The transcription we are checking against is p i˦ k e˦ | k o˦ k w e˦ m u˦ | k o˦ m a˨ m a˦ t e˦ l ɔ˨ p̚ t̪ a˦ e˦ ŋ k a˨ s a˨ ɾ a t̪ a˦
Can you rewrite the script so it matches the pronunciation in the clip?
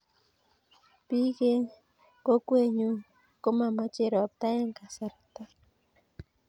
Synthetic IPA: p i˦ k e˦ | k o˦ k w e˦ ɲ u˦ | k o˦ m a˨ m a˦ t͡ʃ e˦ ɾ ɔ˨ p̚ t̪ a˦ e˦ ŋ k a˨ s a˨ ɾ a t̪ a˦